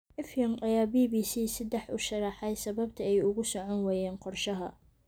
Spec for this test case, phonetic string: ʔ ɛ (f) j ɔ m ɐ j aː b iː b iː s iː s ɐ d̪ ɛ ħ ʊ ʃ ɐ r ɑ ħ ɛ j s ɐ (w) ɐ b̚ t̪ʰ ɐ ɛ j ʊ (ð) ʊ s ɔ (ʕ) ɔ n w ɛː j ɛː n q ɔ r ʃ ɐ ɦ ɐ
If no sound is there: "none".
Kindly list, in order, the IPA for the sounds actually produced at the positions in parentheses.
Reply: f, β, ɣ, ʕ

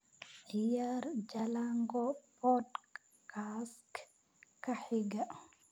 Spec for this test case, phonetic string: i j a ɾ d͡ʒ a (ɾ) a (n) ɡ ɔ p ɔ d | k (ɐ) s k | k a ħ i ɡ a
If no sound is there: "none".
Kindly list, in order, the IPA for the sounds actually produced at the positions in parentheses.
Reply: l, ŋ, a

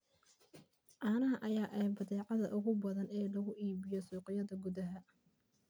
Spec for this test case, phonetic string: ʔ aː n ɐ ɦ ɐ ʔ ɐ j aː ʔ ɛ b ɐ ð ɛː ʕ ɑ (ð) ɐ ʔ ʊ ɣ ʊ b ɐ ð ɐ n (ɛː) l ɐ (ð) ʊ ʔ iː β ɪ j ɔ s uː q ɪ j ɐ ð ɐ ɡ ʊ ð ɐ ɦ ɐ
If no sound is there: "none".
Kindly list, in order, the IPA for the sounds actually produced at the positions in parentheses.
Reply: ð, ɛː, ɣ

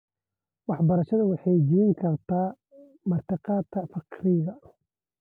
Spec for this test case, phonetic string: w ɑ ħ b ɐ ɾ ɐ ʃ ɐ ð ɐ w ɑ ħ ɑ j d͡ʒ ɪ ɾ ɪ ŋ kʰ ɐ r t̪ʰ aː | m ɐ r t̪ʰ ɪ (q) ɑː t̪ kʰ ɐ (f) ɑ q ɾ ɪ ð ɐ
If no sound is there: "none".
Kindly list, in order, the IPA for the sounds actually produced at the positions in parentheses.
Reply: q, f

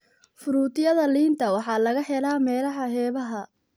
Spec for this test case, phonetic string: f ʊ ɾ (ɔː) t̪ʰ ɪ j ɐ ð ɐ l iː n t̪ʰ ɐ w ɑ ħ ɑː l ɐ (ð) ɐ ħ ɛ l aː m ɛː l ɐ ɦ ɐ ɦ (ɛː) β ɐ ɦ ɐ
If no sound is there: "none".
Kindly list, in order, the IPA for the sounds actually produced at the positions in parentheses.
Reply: uː, ɣ, ɛː

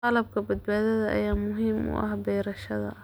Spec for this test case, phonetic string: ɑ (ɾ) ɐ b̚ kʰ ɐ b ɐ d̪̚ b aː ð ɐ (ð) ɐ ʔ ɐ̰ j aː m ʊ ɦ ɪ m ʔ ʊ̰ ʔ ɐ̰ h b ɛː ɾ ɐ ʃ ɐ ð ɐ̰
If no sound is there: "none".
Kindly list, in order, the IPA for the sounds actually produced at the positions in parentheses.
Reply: l, ð

